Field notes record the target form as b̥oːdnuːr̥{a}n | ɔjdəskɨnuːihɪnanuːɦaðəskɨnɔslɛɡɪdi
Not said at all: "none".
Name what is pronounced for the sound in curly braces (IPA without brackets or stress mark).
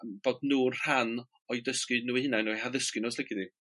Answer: a